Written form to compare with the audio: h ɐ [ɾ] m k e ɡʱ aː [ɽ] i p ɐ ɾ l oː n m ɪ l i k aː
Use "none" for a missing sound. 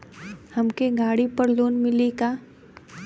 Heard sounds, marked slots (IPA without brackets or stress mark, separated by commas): none, ɽ